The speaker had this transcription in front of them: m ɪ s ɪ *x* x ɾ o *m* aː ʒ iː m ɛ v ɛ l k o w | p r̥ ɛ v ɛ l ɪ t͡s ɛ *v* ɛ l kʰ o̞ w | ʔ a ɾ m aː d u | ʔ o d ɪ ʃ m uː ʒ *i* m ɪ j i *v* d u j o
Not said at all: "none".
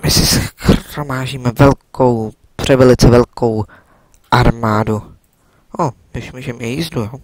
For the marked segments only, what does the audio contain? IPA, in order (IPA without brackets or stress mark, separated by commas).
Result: s, m, v, ɛ, z